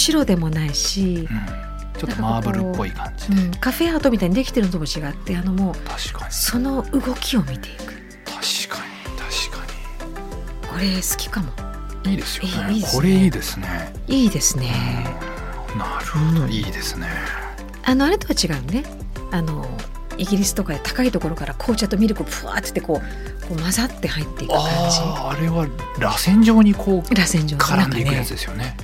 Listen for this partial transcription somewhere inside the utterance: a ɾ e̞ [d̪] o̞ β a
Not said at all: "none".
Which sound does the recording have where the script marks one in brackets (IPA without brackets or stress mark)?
t̪